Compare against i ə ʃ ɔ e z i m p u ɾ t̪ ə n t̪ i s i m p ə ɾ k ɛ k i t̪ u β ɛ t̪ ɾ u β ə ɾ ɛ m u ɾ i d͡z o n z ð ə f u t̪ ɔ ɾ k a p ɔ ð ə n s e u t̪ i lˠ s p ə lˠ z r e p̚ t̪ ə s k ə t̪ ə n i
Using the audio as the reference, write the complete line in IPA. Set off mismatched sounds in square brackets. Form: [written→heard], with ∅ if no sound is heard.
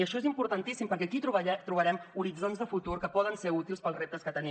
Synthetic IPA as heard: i ə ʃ ɔ e z i m p u ɾ t̪ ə n t̪ i s i m p ə ɾ k ɛ k i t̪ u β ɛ t̪ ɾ u β ə ɾ ɛ m u ɾ i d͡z o n z ð ə f u t̪ [ɔ→u] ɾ k [a→ə] p ɔ ð ə n s e u t̪ i lˠ s p ə lˠ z r e p̚ t̪ ə s k ə t̪ ə n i